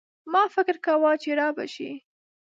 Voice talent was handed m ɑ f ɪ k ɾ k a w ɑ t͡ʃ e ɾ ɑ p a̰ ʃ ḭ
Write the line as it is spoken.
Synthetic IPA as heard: m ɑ f ɪ k ɾ k a w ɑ t͡ʃ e ɾ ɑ b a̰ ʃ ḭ